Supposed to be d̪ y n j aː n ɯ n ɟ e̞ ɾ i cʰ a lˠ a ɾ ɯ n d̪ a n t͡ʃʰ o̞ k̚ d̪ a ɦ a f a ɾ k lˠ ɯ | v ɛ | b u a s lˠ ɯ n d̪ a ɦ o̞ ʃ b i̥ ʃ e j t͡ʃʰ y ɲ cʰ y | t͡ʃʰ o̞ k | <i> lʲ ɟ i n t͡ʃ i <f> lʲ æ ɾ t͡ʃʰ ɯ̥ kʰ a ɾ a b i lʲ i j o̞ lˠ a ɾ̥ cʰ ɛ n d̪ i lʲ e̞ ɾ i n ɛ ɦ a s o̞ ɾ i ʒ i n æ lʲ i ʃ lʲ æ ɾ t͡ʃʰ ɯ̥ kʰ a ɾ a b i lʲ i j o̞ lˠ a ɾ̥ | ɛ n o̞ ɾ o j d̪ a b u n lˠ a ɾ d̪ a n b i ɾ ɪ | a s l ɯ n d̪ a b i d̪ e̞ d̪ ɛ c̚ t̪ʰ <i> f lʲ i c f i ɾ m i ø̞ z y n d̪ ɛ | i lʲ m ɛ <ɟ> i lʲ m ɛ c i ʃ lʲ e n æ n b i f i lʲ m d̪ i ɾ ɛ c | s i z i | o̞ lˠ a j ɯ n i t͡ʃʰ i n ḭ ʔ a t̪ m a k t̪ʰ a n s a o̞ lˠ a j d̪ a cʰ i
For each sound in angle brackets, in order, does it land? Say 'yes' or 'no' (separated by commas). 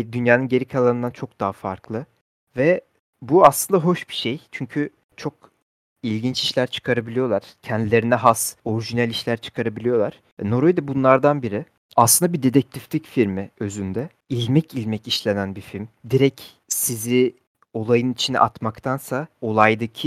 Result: yes, no, yes, no